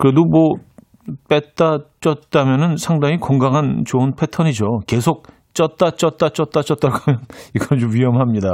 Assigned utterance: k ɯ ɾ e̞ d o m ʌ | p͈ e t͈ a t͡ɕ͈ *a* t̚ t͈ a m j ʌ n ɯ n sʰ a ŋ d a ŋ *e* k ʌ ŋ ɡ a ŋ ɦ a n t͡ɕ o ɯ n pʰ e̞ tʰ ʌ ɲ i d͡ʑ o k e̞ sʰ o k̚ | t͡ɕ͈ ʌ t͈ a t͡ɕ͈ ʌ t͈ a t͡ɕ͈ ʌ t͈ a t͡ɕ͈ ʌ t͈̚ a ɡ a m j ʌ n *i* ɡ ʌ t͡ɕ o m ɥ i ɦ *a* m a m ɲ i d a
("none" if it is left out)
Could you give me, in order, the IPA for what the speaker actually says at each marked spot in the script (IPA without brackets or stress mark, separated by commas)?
ʌ, i, i, ʌ